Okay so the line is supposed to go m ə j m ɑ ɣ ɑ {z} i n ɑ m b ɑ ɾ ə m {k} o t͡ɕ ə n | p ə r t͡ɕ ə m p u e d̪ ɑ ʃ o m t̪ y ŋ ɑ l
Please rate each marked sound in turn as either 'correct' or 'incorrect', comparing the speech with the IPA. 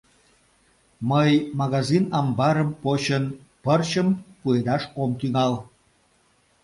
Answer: correct, incorrect

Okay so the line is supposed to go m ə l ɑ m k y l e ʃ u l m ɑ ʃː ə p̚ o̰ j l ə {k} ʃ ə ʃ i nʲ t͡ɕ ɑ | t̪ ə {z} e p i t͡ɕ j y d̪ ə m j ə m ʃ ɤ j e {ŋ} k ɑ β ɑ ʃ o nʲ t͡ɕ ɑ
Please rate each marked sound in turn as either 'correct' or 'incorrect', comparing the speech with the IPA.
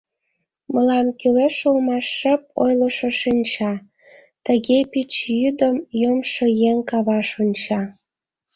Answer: incorrect, incorrect, correct

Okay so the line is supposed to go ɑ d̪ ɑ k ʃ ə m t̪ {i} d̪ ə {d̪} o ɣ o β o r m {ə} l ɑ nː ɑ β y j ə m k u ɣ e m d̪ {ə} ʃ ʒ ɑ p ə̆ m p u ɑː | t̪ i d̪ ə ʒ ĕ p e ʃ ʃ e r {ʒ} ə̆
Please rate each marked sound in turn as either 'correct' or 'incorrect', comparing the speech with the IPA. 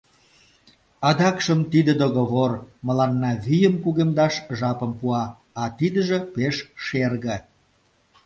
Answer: correct, correct, correct, incorrect, incorrect

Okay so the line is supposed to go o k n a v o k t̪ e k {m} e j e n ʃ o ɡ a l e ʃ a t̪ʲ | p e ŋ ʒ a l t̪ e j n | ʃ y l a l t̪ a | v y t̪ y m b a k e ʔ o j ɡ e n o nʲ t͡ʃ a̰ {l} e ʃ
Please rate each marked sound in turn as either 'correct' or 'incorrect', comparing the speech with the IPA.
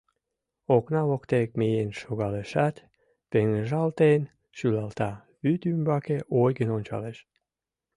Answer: correct, correct

